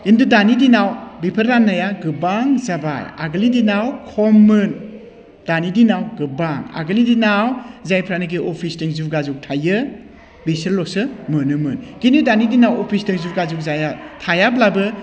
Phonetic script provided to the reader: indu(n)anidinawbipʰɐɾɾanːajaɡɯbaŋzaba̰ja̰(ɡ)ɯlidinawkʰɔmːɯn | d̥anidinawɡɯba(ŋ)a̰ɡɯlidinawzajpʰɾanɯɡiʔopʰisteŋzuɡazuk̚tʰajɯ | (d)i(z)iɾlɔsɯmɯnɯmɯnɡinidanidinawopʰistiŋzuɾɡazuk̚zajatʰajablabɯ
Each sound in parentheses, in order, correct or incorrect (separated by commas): incorrect, correct, correct, incorrect, incorrect